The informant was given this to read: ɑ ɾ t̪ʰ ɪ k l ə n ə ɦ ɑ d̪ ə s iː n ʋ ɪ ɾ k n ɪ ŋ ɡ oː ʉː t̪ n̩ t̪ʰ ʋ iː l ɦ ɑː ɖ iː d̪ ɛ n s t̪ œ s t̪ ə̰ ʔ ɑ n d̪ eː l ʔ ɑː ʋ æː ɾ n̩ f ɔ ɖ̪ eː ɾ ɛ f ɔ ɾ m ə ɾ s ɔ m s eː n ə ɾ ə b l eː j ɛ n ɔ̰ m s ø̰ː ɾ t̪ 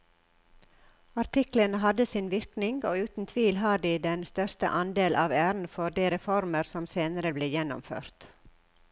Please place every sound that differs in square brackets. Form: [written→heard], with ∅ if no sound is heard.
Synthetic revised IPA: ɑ ɾ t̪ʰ ɪ k l ə n ə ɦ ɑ d̪ ə s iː n ʋ ɪ ɾ k n ɪ ŋ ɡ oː ʉː t̪ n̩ t̪ʰ ʋ iː l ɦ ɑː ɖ iː d̪ ɛ n s t̪ œ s t̪ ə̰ ʔ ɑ n d̪ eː l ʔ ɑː ʋ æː ɾ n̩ f ɔ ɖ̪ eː ɾ ɛ f ɔ ɾ m ə ɾ s ɔ m s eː n ə ɾ ə b l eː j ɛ n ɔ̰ m [s→f] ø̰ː ɾ t̪